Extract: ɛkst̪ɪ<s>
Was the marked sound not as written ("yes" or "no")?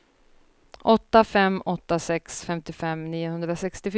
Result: yes